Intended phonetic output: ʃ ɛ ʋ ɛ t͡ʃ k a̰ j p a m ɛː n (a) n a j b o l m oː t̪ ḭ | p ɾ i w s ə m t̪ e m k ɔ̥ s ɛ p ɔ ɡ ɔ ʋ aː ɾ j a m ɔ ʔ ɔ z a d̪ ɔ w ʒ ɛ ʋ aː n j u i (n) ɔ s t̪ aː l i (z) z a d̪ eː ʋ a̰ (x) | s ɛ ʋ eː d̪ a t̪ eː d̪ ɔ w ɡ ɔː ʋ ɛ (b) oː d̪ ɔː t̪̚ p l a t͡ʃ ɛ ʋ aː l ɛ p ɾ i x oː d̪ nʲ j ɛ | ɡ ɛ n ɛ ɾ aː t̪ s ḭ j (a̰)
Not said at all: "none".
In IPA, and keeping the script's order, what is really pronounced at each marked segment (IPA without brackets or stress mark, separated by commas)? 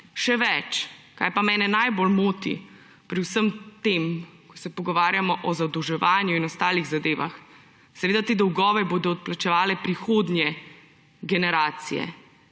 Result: ɛ, n, ɣ, x, b, ɛ̰